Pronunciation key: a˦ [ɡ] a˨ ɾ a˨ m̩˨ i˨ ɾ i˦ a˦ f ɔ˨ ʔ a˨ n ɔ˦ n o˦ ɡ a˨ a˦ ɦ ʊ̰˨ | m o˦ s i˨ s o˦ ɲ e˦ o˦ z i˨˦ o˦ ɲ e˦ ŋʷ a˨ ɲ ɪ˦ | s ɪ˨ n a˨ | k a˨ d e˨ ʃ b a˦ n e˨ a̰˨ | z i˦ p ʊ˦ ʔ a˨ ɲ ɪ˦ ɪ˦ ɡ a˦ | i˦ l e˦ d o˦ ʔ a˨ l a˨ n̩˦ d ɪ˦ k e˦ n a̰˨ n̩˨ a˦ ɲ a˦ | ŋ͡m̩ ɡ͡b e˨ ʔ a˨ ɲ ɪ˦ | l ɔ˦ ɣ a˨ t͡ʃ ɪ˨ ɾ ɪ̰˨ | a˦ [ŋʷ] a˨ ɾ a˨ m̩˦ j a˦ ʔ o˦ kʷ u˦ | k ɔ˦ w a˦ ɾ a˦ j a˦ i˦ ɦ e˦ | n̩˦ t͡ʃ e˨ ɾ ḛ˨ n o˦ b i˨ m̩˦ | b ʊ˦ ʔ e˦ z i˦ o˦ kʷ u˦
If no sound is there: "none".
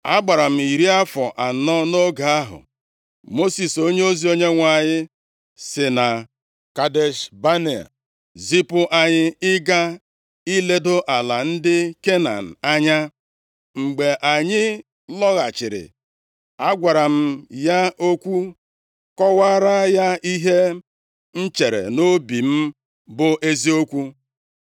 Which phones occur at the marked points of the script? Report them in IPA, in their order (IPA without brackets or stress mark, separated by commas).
ɡ͡b, ɡʷ